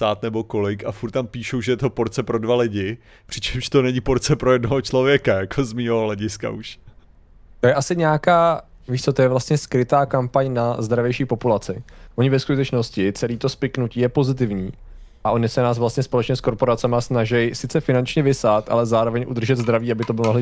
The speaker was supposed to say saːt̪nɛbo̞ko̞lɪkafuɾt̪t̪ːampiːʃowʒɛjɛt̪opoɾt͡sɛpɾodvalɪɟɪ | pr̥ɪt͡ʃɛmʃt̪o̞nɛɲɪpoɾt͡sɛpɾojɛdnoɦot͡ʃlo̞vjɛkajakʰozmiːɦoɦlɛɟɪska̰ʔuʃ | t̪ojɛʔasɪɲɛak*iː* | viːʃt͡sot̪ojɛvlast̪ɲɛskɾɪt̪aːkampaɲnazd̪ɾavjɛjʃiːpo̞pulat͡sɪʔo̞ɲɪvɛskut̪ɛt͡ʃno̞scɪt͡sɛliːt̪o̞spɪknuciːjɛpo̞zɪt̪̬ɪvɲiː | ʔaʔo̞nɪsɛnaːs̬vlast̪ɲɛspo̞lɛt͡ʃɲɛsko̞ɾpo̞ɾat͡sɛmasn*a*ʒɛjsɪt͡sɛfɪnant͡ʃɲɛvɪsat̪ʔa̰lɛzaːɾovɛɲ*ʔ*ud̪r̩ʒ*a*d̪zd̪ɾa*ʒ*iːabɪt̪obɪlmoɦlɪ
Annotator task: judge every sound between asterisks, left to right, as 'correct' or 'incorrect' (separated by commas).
incorrect, correct, correct, incorrect, incorrect